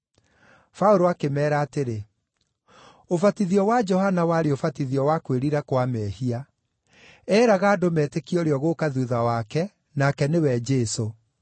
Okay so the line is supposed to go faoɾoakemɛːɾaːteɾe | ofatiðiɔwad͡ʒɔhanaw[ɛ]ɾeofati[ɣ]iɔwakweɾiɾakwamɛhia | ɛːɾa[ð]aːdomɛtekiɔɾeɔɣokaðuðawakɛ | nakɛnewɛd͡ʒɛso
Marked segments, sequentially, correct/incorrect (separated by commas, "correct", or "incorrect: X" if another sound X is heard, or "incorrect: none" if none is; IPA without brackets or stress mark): incorrect: a, incorrect: ð, incorrect: ɣ